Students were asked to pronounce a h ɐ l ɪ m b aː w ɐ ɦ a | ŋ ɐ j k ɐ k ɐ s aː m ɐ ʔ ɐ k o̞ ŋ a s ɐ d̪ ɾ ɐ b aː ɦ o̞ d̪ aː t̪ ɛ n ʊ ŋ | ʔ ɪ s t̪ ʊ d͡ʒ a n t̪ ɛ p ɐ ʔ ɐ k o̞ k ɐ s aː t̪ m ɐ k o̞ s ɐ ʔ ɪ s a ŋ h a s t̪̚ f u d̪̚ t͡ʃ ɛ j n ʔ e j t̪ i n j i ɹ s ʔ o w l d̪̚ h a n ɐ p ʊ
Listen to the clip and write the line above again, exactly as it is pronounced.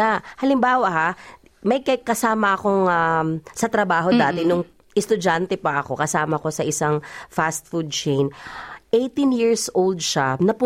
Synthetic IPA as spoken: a h ɐ l ɪ m b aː w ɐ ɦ a | m ɐ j k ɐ k ɐ s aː m ɐ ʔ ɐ k o̞ ŋ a s ɐ t̪ ɾ ɐ b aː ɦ o̞ d̪ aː t̪ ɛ n ʊ ŋ | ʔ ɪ s t̪ ʊ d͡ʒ a n t̪ ɛ p ɐ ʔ ɐ k o̞ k ɐ s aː m ɐ k o̞ s ɐ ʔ ɪ s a ŋ f a s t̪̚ f u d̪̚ t͡ʃ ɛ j n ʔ e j t̪ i n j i ɹ s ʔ o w l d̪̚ ʃ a n ɐ p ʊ